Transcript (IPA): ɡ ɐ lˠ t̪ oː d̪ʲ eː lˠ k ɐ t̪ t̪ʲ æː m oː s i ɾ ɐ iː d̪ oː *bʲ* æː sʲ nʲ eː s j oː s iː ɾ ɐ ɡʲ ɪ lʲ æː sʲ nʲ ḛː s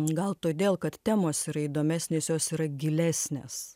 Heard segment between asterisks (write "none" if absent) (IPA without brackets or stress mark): mʲ